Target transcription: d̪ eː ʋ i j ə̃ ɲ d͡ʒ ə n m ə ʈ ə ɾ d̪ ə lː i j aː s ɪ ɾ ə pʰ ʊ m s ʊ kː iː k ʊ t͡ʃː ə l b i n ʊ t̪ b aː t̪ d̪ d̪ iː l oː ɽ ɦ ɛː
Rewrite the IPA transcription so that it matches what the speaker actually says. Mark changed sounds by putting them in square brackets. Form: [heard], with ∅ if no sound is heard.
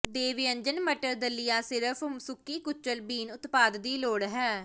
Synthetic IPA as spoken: d̪ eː ʋ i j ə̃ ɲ d͡ʒ ə n m ə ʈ ə ɾ d̪ ə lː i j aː s ɪ ɾ ə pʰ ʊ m s ʊ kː iː k ʊ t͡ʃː ə l b [iː] n ʊ t̪ [p] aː [∅] d̪ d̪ iː l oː ɽ ɦ ɛː